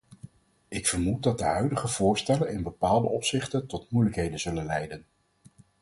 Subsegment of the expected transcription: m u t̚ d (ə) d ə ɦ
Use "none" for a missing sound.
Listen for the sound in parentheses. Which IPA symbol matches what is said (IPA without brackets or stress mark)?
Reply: ɑ